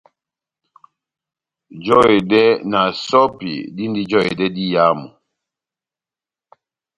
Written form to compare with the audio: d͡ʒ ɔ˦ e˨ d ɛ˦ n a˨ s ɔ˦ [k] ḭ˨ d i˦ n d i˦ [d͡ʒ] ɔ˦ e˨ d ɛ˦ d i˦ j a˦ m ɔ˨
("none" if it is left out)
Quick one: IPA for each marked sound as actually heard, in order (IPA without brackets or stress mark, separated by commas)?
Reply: p, d͡ʒ